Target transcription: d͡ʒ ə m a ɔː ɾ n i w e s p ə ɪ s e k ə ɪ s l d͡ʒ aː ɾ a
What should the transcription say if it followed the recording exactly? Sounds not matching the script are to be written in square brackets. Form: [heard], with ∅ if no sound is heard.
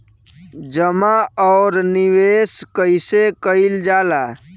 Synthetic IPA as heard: d͡ʒ ə m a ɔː ɾ n i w e s [k] ə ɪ s e k ə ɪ [∅] l d͡ʒ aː [l] a